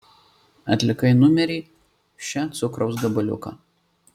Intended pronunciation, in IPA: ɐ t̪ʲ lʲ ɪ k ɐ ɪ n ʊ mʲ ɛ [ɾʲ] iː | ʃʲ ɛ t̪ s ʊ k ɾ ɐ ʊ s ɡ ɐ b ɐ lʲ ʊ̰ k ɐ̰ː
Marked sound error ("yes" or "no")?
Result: no